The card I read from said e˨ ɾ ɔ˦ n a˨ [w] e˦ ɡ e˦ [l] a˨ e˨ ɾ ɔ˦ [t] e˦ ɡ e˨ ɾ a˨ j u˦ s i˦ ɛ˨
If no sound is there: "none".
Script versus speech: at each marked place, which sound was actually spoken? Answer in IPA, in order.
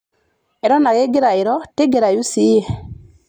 ɣ, ɾ, t

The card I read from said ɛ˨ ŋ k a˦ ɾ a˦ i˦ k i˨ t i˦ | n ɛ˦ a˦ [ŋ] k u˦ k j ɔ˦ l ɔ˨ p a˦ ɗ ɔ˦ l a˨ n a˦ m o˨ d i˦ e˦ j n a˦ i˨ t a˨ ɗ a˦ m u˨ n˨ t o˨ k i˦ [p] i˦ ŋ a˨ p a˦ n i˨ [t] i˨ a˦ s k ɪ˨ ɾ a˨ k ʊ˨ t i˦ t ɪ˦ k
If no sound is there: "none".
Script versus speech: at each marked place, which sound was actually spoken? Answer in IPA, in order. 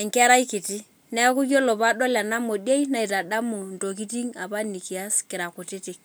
none, t, k

